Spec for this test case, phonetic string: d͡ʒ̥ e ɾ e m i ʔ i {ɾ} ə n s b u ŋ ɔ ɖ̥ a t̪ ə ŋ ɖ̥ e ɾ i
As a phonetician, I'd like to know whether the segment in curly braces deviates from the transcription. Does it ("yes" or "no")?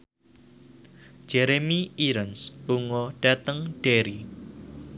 no